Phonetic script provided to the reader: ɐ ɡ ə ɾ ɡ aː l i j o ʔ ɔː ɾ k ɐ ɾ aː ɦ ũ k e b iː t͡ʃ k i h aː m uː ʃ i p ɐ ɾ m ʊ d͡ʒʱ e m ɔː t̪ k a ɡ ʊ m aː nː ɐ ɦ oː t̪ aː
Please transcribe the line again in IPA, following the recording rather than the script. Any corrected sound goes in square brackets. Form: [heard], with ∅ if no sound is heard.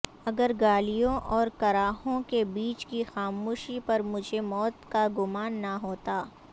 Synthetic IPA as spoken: ɐ ɡ ə ɾ ɡ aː l i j [õ] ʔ ɔː ɾ k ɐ ɾ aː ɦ [õ] k e b iː t͡ʃ k i [x] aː m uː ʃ i p ɐ ɾ m ʊ d͡ʒʱ e m ɔː t̪ k a ɡ ʊ m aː nː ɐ ɦ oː t̪ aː